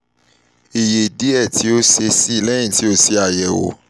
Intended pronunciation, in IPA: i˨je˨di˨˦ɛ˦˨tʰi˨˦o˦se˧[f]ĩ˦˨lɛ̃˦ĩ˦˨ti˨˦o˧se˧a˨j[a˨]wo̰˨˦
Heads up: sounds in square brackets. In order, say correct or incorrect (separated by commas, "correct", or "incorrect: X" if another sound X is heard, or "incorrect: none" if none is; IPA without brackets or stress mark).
incorrect: s, incorrect: ɛ˨